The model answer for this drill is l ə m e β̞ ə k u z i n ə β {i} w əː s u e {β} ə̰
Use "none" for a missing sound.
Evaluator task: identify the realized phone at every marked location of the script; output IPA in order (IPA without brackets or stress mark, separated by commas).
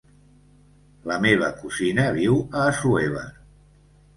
i, β